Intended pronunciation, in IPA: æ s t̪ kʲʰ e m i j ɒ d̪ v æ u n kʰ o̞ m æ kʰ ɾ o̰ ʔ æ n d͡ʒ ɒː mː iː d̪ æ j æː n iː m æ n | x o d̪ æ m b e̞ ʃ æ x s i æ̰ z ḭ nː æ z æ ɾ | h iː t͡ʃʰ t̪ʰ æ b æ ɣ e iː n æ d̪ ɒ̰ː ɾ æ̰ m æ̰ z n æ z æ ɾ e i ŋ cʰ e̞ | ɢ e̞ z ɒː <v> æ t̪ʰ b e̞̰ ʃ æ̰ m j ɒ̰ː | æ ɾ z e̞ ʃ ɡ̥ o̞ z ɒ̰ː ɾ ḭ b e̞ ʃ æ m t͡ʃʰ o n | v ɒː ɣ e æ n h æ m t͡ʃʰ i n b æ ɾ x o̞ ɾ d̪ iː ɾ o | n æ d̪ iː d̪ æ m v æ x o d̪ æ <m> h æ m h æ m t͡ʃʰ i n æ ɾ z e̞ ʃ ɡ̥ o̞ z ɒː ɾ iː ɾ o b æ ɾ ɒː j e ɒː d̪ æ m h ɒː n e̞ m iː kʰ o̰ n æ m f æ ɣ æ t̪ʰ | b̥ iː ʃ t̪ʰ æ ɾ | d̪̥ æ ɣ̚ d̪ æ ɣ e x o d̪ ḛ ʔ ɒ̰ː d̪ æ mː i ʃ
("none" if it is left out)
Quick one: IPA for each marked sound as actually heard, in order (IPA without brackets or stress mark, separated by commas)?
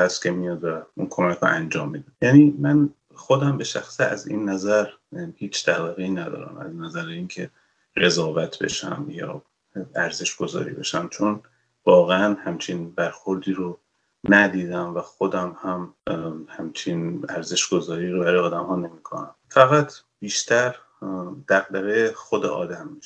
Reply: v, m